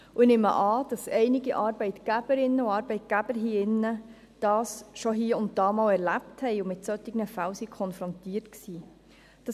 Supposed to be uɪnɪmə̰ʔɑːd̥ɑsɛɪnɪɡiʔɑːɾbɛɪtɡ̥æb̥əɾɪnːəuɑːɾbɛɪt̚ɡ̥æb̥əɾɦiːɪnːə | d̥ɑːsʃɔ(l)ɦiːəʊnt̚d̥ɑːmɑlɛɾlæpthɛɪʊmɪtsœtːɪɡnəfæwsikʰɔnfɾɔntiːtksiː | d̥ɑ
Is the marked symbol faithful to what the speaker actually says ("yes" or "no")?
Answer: no